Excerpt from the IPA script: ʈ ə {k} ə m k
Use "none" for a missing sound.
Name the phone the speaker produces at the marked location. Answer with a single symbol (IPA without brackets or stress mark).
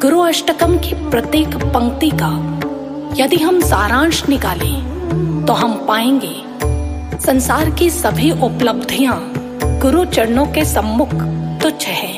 k